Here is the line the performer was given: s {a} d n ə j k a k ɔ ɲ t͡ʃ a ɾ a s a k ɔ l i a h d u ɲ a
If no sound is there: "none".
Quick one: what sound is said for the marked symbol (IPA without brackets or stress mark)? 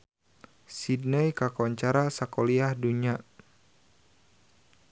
i